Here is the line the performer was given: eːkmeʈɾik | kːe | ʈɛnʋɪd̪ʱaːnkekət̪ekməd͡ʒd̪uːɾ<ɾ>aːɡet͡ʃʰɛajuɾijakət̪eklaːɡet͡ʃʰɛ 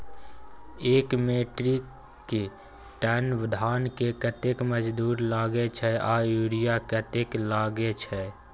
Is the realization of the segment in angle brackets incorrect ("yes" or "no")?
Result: yes